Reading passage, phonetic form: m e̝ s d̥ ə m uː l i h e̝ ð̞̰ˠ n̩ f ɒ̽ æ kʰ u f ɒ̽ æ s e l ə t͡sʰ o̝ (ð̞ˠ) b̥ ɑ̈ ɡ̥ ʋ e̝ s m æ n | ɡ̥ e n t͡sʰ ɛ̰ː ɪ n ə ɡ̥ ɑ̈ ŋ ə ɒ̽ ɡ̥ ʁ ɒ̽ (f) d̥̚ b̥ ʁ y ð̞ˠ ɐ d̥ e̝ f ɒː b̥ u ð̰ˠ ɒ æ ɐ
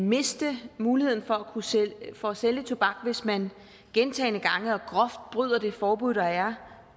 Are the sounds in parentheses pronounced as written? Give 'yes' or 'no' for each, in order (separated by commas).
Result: no, yes